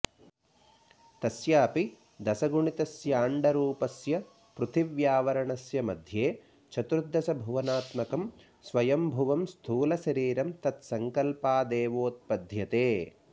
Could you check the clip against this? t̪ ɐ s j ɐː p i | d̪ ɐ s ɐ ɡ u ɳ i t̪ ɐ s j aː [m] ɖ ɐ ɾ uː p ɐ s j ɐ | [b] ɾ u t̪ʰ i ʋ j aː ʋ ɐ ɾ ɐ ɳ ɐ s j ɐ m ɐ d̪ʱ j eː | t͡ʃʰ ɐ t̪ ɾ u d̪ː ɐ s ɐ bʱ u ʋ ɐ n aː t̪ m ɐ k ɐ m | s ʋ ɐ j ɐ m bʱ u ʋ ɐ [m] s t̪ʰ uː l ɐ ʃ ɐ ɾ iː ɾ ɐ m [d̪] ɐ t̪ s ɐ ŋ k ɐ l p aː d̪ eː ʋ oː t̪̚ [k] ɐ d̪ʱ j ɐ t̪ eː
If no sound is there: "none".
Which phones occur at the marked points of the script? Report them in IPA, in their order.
ɳ, p, m, t̪, p

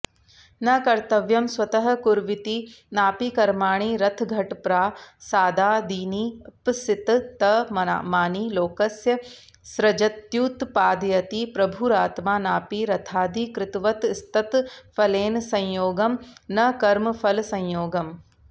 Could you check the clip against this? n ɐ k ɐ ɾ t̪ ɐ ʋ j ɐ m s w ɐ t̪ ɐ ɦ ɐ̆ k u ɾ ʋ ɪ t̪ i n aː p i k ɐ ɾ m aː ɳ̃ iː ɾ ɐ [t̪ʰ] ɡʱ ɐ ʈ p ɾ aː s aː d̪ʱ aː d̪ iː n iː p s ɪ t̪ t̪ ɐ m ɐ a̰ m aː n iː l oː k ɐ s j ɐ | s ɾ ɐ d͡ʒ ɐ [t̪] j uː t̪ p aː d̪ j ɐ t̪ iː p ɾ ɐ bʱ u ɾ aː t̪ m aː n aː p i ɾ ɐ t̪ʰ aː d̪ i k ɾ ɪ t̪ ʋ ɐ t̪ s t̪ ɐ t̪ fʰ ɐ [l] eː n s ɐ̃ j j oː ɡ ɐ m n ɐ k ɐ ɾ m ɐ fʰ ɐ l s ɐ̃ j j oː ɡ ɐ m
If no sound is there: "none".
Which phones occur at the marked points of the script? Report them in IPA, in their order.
t̪ʰ, t̪, l

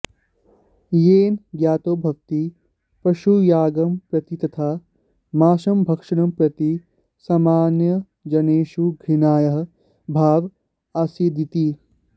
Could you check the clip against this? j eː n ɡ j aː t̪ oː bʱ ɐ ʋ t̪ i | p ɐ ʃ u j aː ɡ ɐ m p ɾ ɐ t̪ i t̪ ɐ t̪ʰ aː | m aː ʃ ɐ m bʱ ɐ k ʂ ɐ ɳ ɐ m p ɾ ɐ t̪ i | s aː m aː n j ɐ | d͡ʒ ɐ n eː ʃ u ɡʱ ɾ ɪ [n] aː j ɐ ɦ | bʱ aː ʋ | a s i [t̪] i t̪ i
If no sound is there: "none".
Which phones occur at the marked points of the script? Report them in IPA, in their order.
n, d̪

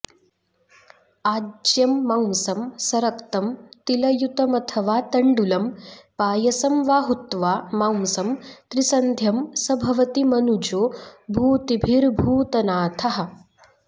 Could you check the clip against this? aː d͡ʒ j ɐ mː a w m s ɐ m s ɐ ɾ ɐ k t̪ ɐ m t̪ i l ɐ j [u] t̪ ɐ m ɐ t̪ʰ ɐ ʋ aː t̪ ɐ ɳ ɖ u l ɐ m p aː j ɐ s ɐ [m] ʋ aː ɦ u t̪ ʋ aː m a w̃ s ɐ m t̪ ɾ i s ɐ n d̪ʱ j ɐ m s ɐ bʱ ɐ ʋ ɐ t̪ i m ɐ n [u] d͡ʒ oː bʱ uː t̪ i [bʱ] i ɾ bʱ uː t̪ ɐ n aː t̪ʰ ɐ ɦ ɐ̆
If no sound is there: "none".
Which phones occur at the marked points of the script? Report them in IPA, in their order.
u, m, u, bʱ

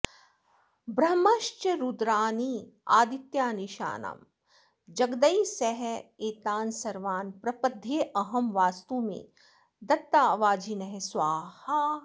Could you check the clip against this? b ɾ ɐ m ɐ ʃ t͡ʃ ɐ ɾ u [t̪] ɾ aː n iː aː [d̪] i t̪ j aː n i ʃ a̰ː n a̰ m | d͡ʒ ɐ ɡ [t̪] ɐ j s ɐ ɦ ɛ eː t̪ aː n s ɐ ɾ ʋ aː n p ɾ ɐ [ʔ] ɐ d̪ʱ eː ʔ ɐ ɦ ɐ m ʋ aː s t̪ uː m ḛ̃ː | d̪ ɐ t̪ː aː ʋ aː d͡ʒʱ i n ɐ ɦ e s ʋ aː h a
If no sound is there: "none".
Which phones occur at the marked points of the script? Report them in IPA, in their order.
d̪, d̪, d̪, p

